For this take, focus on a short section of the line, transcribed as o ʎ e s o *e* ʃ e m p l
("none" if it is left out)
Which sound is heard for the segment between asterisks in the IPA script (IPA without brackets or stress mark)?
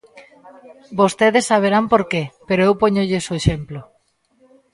e